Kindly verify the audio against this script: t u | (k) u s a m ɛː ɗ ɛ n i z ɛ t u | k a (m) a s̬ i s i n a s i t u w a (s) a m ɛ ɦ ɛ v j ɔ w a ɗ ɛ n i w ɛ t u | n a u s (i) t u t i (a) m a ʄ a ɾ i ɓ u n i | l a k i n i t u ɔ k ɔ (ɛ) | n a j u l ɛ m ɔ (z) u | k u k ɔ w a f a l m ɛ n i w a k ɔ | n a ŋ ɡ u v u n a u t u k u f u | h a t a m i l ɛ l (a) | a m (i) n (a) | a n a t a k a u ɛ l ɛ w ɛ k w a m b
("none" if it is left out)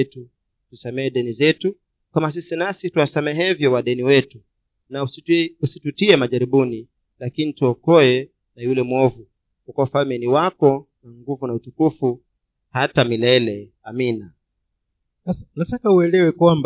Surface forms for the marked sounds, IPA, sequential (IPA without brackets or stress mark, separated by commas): t, m, s, i, ɛ, ɛ, v, ɛ, i, a